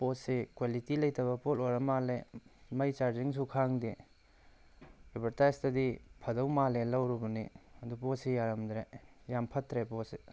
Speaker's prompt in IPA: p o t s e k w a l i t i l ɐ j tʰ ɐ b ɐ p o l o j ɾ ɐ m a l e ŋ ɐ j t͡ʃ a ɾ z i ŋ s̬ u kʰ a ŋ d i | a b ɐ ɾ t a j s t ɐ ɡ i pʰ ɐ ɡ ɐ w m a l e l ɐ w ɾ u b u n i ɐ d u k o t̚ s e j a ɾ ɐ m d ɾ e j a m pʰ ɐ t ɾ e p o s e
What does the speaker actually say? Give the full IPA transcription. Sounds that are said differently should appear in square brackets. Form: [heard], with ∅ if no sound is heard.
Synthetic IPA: p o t s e k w a l i t i l ɐ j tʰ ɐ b ɐ p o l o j ɾ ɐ m a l e [m] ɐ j t͡ʃ a ɾ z i ŋ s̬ u kʰ a ŋ d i | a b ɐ ɾ t a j s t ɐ [d] i pʰ ɐ [d] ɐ w m a l e l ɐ w ɾ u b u n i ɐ d u [p] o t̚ s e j a ɾ ɐ m d ɾ e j a m pʰ ɐ t ɾ e p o s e